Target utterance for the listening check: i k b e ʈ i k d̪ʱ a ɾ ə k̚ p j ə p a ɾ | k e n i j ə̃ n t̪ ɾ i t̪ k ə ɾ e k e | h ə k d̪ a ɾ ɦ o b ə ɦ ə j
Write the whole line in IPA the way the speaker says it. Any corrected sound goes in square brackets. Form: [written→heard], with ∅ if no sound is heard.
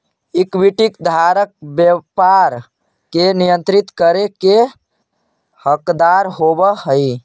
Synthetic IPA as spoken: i k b [e→i] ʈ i k d̪ʱ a ɾ ə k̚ [p→b] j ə p a ɾ | k e n i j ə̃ n t̪ ɾ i t̪ k ə ɾ e k e | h ə k d̪ a ɾ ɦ o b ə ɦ ə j